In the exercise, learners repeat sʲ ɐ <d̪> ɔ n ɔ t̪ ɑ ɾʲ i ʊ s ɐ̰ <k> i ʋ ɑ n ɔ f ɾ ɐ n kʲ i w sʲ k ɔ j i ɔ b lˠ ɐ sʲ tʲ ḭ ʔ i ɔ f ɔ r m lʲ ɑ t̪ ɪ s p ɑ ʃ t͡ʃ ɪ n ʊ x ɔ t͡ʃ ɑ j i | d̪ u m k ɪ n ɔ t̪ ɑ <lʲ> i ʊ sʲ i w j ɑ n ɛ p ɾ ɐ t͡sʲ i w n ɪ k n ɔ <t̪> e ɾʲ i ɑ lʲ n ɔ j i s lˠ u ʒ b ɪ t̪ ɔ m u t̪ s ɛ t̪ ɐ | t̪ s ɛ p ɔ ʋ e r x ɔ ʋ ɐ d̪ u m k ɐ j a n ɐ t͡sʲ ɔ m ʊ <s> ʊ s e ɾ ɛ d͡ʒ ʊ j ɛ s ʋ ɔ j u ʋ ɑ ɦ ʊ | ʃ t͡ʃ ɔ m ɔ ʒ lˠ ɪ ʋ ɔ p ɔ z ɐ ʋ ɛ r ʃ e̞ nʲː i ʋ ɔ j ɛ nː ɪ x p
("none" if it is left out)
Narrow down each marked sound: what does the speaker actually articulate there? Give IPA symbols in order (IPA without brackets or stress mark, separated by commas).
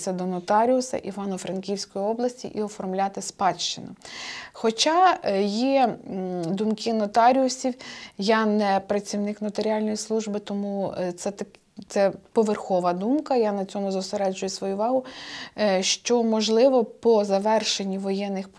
d̪, ʔ, ɾʲ, t̪, z